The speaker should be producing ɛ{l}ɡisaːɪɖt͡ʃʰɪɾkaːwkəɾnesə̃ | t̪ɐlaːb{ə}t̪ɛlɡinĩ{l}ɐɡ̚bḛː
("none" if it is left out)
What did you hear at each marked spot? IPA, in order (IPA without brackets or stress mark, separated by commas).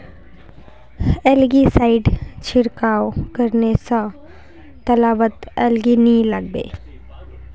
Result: l, ə, l